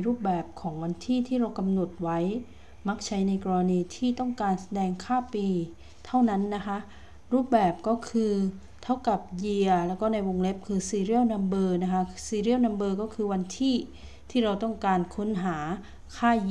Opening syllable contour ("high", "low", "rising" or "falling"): falling